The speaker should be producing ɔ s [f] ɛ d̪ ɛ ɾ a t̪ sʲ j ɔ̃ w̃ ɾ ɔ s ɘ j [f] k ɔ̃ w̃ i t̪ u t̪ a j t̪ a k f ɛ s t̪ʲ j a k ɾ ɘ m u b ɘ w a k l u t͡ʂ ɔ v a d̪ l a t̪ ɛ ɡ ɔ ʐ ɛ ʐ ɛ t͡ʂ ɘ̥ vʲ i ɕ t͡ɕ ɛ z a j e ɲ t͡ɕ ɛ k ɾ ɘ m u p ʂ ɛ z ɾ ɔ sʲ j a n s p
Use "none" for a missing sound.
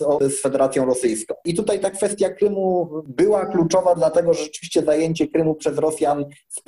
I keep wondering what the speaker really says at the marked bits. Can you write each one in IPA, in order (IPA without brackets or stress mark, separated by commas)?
f, s